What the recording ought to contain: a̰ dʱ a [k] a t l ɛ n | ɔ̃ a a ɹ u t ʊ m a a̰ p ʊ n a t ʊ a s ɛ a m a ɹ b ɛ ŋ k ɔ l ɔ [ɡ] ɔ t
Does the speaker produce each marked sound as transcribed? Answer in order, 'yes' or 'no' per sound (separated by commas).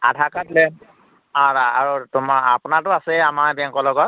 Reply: yes, yes